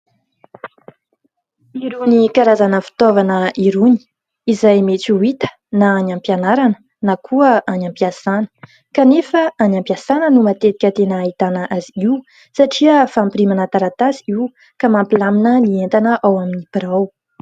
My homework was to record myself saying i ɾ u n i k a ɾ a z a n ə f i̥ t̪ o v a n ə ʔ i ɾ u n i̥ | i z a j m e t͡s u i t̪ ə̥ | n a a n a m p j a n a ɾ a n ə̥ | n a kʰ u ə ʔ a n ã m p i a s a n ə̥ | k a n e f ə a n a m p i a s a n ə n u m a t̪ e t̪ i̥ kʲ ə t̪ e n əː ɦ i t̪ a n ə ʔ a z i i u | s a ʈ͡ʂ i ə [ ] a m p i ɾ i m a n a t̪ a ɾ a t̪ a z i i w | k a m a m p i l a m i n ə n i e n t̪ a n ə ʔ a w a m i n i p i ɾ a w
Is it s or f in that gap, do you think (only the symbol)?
f